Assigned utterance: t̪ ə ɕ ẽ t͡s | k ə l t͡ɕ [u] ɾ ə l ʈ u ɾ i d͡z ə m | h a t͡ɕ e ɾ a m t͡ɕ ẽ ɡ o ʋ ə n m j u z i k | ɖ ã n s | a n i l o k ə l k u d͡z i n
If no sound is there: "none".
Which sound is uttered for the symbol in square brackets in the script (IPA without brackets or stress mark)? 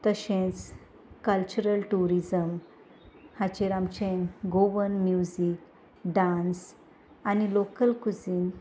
u